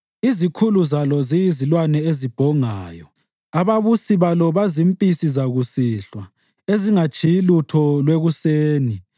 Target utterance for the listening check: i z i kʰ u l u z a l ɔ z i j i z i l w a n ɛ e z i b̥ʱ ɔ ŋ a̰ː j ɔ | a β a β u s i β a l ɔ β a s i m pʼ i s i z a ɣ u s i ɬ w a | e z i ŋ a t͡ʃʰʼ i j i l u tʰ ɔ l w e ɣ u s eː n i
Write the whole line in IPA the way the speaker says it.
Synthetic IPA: i z i kʰ u l u z a l ɔ z i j i z i l w a n ɛ e z i b̥ʱ ɔ ŋ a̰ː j ɔ | a β a β u s i β a l ɔ β a z i m pʼ i s i z a ɣ u s i ɬ w a | e z i ŋ a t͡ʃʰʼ i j i l u tʰ ɔ l w e ɣ u s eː n i